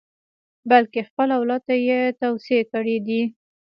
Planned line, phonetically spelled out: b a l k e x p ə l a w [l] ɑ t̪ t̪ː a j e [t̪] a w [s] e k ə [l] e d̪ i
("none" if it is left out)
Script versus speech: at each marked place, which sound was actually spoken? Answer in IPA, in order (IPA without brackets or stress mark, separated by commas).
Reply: l, t̪, s, ɽ